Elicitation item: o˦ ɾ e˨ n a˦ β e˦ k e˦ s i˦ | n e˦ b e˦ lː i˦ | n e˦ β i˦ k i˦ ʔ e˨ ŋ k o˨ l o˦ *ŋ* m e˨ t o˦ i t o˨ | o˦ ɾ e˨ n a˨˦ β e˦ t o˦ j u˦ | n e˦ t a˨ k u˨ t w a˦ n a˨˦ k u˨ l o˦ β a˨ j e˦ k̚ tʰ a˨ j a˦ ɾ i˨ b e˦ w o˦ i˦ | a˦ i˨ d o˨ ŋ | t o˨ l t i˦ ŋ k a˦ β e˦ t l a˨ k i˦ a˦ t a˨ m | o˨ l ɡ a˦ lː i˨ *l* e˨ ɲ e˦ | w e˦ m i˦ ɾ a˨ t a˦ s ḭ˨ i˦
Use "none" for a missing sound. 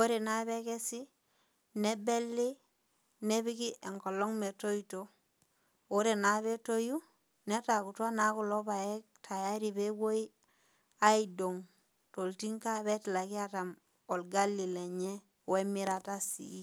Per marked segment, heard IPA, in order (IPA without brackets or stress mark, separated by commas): ŋ, l